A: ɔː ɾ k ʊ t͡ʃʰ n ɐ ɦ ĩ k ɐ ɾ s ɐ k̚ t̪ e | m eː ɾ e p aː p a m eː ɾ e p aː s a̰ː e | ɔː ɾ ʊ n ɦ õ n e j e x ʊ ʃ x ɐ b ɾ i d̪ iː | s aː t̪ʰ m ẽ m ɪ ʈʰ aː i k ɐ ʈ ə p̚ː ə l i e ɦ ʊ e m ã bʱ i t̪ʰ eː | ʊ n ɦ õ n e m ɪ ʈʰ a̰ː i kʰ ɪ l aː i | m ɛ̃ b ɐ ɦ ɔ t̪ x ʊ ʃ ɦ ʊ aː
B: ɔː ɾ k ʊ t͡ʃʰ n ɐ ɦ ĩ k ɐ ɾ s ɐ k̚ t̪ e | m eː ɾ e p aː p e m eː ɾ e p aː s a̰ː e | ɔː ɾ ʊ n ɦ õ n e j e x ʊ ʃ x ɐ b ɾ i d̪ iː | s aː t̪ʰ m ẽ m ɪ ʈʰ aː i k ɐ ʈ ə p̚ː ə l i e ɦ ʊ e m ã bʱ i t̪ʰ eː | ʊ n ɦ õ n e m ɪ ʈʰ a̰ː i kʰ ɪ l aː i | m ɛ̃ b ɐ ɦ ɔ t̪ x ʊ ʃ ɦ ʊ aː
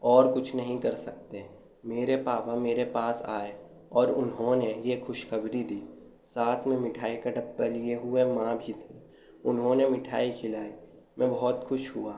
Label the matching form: A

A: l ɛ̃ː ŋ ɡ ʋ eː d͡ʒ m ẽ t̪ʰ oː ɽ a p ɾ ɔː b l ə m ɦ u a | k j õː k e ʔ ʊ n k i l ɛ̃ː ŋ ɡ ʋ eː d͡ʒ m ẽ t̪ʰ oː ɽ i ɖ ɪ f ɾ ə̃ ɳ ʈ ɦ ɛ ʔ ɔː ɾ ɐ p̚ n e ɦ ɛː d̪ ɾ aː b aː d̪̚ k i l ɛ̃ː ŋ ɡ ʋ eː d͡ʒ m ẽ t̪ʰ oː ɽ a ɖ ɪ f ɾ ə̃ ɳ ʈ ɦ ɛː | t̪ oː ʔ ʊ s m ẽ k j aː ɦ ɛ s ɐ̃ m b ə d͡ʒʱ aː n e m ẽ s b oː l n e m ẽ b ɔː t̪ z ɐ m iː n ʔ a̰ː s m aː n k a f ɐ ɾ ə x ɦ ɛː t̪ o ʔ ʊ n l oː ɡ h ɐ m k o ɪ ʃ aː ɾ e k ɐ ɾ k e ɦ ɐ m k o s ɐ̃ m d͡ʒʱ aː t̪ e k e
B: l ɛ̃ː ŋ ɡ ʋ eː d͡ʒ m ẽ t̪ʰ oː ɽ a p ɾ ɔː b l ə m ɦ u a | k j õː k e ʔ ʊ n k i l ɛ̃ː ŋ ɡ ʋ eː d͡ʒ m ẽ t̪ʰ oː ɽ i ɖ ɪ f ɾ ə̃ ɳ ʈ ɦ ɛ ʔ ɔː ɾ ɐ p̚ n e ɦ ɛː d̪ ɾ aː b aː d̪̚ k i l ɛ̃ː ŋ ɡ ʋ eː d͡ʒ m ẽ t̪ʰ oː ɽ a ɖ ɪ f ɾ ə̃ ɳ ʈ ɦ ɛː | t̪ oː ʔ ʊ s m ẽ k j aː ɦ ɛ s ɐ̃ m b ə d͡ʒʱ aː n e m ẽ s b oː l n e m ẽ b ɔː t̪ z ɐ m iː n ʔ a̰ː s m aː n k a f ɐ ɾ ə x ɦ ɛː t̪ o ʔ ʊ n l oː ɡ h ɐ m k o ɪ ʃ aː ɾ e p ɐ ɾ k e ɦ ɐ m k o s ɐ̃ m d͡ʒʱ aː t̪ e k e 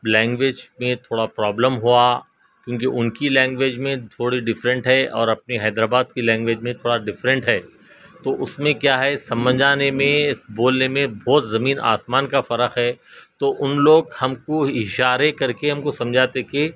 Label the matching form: A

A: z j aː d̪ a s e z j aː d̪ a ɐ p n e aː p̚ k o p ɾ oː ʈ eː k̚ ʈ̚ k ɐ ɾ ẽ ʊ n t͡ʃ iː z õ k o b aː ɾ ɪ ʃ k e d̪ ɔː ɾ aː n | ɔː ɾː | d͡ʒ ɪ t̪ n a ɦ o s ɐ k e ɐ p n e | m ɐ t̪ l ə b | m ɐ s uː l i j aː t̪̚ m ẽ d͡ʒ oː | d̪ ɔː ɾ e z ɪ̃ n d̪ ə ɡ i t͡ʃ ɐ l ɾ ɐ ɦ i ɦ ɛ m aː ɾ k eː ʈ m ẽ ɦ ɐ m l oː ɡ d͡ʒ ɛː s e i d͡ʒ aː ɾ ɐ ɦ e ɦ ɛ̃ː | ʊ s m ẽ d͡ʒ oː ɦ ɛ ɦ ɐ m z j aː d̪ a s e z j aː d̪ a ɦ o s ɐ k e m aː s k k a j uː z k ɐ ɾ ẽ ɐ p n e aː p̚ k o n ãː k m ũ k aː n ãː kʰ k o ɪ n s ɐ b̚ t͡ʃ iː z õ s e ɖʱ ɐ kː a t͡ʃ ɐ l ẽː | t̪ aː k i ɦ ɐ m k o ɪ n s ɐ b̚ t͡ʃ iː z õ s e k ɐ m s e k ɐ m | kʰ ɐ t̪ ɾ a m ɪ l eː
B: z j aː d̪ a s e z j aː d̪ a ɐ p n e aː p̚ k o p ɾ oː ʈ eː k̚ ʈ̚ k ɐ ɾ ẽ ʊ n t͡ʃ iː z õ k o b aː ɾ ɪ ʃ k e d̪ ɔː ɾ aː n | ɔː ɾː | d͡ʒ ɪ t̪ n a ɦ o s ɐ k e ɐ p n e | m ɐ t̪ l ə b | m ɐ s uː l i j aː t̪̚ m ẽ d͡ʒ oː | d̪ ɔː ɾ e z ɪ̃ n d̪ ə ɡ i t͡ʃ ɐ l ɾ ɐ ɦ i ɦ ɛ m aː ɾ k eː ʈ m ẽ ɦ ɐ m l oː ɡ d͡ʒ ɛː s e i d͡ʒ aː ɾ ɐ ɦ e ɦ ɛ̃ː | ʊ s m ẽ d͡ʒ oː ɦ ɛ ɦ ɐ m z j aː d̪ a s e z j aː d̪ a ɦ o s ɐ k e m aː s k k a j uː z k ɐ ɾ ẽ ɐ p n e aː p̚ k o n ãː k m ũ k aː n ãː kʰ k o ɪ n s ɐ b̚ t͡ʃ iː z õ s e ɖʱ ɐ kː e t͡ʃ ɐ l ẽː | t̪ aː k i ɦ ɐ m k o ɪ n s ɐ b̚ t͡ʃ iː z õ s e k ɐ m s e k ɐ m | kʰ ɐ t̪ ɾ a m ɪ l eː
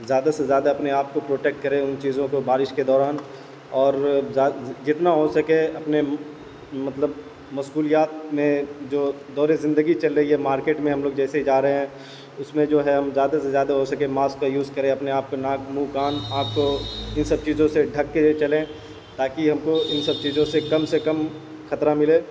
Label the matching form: B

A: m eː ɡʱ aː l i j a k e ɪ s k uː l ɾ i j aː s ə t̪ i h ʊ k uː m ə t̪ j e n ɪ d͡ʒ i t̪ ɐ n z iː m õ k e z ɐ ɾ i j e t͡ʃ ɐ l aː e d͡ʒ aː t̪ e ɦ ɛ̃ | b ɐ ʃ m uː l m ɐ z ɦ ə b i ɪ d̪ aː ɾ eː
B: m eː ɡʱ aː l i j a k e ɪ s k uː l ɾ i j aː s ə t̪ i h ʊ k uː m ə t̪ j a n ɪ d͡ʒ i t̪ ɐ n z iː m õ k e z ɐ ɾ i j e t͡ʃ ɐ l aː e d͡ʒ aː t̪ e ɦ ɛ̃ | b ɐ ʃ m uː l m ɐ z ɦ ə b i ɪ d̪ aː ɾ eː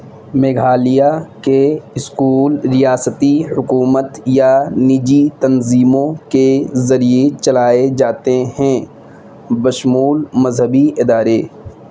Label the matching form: B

